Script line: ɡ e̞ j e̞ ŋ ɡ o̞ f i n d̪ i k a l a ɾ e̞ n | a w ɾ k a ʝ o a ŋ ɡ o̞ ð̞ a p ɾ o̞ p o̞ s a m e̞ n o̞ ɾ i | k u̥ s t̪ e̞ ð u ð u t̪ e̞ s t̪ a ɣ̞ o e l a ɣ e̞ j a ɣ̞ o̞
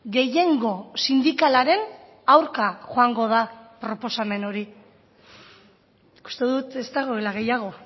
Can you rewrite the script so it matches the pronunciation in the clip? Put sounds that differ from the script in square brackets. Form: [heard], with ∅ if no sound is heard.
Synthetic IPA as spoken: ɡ e̞ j e̞ ŋ ɡ o̞ [s] i n d̪ i k a l a ɾ e̞ n | a w ɾ k a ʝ o a ŋ ɡ o̞ ð̞ a p ɾ o̞ p o̞ s a m e̞ n o̞ ɾ i | k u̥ s t̪ e̞ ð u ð u t̪ e̞ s t̪ a ɣ̞ o e l a ɣ e̞ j a ɣ̞ o̞